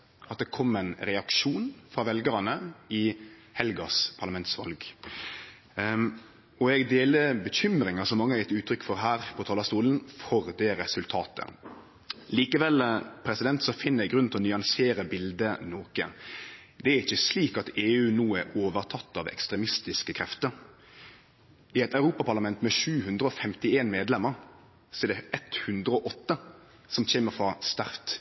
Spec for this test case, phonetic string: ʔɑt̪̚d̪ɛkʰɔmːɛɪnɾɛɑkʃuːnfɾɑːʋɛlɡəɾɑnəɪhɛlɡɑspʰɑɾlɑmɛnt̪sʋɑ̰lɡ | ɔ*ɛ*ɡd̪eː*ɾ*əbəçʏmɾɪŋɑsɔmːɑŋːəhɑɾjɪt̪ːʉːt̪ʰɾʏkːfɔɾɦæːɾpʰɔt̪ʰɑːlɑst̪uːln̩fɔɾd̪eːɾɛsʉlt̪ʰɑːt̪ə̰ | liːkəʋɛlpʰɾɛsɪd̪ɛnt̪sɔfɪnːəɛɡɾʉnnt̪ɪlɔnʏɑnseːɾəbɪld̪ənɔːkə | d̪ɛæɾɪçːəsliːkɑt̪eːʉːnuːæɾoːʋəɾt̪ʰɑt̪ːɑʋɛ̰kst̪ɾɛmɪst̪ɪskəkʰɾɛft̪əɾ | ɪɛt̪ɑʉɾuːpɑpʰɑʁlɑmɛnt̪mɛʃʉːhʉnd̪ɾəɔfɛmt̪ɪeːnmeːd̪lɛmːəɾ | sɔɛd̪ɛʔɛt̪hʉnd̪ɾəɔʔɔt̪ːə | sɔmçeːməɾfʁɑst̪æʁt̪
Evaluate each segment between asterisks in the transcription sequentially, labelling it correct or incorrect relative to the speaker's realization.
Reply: correct, incorrect

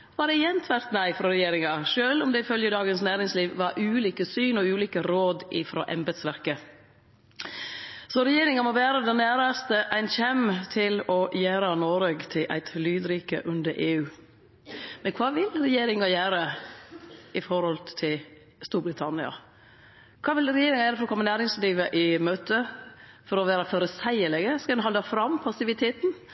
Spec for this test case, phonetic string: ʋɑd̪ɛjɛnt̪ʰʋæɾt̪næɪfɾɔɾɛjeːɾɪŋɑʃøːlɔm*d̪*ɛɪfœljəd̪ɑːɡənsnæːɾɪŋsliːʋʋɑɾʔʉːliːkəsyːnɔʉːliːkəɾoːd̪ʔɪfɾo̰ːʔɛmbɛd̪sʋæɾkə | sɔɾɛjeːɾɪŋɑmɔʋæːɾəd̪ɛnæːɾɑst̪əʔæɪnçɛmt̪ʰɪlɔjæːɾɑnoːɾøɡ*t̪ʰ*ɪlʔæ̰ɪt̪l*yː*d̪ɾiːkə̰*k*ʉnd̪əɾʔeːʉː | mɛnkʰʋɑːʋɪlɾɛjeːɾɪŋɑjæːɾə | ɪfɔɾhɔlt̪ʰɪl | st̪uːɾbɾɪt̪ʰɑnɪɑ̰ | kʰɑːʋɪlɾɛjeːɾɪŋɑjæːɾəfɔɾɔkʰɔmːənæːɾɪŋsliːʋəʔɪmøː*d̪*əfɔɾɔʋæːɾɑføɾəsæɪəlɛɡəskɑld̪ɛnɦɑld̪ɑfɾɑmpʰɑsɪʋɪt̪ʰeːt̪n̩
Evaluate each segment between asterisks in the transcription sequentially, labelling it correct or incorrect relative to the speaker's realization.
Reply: correct, correct, correct, incorrect, incorrect

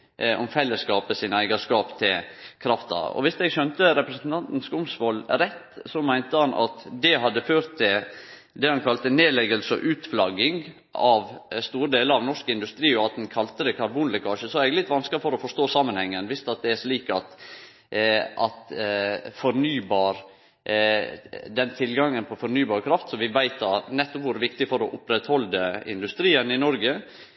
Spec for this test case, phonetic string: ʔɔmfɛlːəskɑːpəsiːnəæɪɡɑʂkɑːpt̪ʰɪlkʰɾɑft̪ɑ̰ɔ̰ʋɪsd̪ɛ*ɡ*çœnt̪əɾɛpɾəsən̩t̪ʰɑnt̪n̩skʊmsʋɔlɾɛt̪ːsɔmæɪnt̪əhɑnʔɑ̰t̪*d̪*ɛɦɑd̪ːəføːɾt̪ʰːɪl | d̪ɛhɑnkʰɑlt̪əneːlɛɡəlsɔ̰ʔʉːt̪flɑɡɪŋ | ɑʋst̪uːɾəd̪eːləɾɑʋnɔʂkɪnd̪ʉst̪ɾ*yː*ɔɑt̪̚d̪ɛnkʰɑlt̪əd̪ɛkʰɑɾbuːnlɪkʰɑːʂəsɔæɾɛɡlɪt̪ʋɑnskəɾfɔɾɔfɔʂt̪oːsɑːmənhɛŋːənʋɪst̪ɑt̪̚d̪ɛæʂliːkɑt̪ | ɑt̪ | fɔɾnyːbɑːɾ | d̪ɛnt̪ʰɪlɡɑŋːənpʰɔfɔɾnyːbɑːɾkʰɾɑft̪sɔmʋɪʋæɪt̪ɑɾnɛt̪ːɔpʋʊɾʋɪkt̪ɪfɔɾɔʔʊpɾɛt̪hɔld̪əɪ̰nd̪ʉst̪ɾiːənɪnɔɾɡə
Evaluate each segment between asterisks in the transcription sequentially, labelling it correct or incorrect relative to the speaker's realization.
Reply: correct, correct, incorrect

